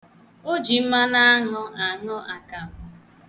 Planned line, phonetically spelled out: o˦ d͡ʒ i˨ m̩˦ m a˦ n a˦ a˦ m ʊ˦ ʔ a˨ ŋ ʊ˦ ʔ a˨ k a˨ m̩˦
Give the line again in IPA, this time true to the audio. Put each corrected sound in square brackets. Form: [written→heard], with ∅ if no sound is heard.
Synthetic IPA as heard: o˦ d͡ʒ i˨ m̩˦ m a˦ n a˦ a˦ [m→ŋ] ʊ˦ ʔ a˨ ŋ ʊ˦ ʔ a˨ k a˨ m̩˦